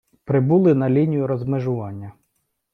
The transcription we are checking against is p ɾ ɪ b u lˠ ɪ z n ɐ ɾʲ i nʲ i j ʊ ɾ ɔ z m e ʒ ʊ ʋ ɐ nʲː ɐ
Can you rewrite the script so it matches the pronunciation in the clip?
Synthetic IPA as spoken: p ɾ ɪ b u lˠ ɪ n ɐ lʲ i nʲ i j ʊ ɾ ɔ z m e ʒ ʊ ʋ ɑ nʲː ɐ